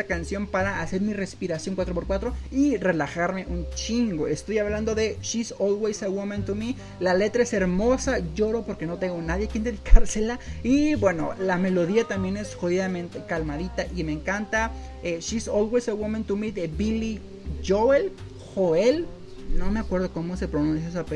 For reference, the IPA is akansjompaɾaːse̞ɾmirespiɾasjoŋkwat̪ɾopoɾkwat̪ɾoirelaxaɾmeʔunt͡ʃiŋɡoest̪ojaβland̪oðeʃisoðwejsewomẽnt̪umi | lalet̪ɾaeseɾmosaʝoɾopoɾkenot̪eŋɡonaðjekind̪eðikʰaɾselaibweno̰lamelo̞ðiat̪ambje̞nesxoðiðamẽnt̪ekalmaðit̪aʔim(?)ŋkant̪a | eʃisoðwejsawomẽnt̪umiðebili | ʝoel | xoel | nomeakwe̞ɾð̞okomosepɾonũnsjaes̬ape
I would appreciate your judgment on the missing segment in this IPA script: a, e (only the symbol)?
e